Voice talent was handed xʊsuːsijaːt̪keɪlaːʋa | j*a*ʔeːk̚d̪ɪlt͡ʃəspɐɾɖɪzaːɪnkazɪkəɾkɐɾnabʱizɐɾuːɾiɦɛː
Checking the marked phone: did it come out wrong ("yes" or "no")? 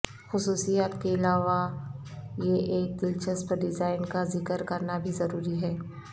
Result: yes